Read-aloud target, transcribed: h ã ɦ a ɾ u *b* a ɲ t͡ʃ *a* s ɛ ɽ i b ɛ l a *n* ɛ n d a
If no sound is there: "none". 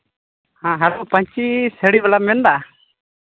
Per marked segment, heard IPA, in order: p, i, m

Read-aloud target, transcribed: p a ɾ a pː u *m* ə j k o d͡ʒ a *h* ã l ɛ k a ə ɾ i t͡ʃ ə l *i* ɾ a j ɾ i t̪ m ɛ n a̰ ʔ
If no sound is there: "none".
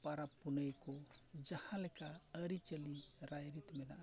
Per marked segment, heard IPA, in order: n, h, i

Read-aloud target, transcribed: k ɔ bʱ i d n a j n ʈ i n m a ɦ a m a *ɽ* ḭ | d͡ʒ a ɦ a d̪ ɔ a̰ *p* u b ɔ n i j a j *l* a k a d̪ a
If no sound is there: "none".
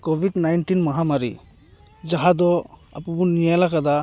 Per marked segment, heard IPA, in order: ɾ, p, l

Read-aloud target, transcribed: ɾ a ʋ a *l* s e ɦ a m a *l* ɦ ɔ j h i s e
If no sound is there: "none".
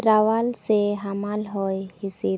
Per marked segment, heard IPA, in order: l, l

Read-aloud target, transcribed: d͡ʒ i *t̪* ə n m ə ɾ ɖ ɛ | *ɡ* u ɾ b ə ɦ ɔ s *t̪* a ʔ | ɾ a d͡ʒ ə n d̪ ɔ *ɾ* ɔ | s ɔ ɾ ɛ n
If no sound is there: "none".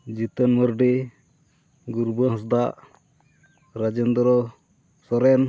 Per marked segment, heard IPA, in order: t̪, ɡ, d̪, ɾ

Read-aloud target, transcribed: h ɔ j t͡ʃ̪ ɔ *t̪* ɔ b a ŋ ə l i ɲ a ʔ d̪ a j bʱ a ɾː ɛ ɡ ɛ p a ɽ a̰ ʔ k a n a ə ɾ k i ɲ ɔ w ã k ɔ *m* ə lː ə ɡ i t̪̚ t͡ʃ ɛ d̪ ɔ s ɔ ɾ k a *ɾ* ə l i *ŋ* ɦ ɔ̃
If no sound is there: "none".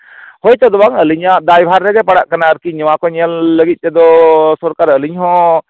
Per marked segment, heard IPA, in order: d̪, ɲ, ɾ, ɲ

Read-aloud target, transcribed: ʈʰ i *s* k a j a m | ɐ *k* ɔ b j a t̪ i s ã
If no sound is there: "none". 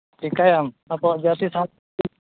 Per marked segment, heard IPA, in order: none, p

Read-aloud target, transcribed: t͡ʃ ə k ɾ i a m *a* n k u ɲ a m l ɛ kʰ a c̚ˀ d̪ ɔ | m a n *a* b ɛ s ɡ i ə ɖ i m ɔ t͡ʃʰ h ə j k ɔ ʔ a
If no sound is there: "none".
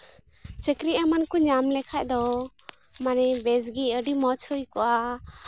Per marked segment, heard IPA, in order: a, ɛ

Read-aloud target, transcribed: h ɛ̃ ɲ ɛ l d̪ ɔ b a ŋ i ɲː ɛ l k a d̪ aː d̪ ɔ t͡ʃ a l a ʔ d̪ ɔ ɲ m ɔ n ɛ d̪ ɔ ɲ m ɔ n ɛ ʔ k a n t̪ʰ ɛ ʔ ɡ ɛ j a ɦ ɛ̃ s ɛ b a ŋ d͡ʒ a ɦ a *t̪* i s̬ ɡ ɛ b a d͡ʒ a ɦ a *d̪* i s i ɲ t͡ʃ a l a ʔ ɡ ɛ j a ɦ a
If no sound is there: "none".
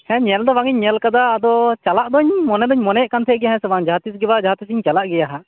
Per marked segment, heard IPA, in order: t̪, t̪

